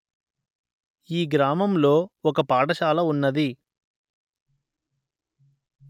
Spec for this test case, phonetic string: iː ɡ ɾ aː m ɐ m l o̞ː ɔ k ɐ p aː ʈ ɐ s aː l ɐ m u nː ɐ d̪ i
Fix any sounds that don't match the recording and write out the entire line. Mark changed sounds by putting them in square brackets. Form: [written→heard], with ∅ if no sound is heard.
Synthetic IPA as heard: iː ɡ ɾ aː m ɐ m l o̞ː ɔ k ɐ p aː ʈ ɐ [s→ʃ] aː l ɐ [m→∅] u nː ɐ d̪ i